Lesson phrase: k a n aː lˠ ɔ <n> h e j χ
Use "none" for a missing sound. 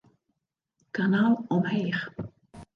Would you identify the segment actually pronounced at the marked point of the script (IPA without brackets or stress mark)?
m